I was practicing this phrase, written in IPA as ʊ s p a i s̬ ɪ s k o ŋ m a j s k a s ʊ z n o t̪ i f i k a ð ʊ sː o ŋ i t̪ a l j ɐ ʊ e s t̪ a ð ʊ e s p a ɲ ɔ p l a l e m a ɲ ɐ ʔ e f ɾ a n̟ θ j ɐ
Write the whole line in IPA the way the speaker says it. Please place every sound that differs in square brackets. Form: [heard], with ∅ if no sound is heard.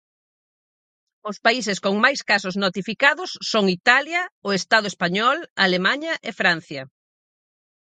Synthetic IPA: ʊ s p a i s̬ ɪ s k o ŋ m a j s k a s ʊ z n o t̪ i f i k a ð ʊ sː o ŋ i t̪ a l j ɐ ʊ e s t̪ a ð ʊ e s p a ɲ ɔ [∅] l a l e m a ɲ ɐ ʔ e f ɾ a n̟ θ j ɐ